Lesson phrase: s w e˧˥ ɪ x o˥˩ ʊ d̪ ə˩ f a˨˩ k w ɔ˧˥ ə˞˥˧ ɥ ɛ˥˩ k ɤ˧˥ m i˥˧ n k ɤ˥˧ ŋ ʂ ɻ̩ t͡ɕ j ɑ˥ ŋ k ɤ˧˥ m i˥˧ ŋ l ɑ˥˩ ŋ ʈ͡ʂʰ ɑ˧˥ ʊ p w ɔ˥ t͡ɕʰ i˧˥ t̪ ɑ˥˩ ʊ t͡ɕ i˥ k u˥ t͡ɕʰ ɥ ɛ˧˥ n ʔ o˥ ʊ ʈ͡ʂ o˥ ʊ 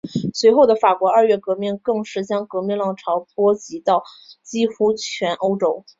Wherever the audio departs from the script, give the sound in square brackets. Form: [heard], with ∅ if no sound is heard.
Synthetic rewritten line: s w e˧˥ ɪ x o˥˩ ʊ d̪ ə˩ f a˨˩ k w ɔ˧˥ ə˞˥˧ ɥ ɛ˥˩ k ɤ˧˥ m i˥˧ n k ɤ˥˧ ŋ ʂ ɻ̩ t͡ɕ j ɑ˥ ŋ k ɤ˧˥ m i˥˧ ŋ l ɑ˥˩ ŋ ʈ͡ʂʰ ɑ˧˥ ʊ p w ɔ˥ [t͡ɕ] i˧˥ t̪ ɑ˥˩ ʊ t͡ɕ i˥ [x] u˥ t͡ɕʰ ɥ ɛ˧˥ n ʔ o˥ ʊ ʈ͡ʂ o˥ ʊ